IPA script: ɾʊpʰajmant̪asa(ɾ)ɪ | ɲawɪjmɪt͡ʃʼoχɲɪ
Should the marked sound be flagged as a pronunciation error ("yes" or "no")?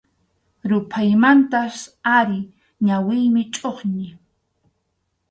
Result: no